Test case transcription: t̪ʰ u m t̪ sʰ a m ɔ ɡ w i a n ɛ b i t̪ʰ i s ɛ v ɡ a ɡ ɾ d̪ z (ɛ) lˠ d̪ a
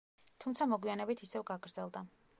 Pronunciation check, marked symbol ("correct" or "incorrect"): correct